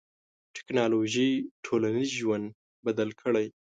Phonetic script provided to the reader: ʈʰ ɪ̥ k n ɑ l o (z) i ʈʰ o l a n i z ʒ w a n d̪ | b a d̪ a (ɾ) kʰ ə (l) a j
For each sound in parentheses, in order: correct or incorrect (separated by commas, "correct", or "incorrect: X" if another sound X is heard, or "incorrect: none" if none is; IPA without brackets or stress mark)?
incorrect: ʒ, incorrect: l, incorrect: ɽ